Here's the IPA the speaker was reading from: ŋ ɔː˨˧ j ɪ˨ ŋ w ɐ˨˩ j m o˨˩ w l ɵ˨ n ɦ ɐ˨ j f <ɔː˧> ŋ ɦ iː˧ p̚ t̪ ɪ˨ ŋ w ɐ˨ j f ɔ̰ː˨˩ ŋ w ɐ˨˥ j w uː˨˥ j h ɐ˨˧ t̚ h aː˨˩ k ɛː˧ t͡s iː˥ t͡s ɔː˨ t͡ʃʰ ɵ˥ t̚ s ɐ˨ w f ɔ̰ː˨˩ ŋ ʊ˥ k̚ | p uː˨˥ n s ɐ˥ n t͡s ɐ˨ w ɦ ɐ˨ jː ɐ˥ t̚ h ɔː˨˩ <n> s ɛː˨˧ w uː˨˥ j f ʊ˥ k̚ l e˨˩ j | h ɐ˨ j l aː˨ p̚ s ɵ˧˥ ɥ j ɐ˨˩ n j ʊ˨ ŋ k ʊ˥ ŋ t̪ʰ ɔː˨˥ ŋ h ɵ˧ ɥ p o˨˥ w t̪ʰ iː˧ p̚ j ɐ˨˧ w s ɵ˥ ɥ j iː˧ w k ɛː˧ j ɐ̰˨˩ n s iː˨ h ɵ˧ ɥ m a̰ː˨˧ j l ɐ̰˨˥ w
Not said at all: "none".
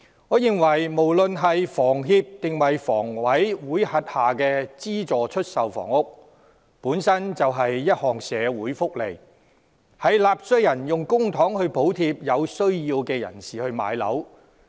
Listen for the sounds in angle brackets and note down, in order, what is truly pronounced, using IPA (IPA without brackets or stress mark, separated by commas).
ɔː˨˩, ŋ